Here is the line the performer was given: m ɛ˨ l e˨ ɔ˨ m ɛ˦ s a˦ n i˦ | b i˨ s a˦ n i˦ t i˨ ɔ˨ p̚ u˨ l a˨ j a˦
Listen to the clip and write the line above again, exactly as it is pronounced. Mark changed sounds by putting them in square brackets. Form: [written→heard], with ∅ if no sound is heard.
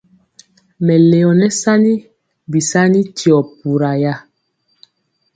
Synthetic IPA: m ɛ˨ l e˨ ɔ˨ [m→n] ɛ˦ s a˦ n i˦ | b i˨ s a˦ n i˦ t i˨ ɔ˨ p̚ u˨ [l→ɾ] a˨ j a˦